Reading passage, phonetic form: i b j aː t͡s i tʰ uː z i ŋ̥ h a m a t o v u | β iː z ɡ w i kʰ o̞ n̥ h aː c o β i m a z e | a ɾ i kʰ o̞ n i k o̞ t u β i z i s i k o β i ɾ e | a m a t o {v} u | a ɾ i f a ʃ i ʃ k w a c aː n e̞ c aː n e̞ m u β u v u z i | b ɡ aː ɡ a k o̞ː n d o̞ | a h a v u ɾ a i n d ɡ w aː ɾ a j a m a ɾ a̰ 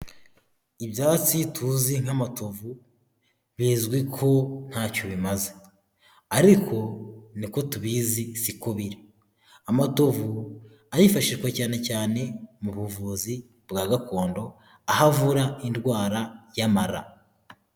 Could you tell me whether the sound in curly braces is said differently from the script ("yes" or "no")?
no